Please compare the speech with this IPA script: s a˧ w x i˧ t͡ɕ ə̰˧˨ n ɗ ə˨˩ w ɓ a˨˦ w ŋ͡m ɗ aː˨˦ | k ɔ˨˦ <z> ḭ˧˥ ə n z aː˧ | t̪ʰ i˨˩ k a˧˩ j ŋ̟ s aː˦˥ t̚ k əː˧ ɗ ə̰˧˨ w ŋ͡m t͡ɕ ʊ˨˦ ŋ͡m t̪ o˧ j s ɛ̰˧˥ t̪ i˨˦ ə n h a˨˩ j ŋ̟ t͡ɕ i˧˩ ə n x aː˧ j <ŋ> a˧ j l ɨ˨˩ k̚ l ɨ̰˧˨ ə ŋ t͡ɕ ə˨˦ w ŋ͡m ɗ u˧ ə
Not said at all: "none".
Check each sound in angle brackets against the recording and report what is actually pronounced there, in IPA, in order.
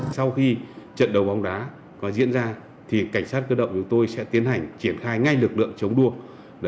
z, ŋ

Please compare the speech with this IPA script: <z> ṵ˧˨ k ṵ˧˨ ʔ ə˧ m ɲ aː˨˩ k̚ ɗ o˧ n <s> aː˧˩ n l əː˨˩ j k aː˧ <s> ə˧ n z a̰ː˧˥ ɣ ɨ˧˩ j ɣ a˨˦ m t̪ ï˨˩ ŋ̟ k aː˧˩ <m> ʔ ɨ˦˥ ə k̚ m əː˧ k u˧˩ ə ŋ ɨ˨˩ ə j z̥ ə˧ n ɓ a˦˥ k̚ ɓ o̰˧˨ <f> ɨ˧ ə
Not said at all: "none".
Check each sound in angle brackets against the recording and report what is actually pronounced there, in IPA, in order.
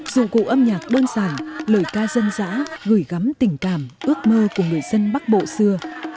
z, s, z, m, s

